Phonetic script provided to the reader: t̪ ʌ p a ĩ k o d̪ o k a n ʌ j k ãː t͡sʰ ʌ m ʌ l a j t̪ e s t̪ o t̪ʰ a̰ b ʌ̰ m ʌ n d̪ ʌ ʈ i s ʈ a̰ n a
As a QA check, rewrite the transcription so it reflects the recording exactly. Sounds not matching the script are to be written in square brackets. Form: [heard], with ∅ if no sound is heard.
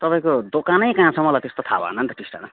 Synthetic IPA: t̪ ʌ p a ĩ k o d̪ o k a n ʌ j k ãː t͡sʰ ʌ m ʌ l a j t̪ e s t̪ o t̪ʰ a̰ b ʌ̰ [n] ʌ n [t̪] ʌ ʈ i s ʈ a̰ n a